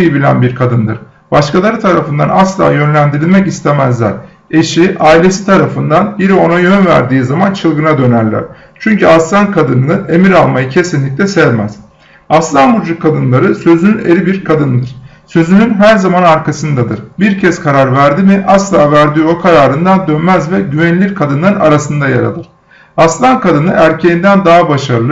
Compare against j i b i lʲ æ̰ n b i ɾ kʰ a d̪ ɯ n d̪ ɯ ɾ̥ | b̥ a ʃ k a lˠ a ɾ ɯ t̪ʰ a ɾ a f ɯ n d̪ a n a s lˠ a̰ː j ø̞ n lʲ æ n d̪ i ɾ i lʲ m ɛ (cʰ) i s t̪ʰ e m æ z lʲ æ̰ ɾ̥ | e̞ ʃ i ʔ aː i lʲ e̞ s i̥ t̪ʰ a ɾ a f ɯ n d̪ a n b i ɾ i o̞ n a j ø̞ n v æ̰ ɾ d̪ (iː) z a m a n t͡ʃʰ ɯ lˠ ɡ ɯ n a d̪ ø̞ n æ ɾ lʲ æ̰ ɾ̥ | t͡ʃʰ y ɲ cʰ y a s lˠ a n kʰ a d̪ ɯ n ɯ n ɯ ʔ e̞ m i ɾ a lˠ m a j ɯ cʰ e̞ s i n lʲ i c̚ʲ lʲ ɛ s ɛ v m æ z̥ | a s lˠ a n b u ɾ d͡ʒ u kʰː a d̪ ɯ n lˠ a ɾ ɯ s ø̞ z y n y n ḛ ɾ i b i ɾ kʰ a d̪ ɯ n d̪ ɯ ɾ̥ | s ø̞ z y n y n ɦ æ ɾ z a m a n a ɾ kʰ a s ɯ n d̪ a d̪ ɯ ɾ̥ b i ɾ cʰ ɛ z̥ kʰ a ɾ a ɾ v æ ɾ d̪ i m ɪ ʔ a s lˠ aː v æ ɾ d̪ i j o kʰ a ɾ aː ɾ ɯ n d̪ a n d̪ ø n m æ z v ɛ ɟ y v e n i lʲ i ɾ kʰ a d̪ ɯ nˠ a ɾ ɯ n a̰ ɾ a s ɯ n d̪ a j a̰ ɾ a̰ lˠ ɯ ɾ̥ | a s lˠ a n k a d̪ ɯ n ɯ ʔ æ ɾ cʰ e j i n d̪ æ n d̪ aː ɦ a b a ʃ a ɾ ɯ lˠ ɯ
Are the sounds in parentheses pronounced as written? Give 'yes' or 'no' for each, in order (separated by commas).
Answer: no, yes